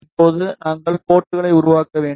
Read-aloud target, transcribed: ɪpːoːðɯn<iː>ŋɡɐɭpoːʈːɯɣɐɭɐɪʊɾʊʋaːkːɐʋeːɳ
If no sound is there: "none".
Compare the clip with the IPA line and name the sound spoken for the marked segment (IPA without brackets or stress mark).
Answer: aː